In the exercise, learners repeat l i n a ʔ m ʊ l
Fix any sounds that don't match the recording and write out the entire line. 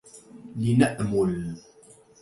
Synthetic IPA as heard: l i n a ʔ m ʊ l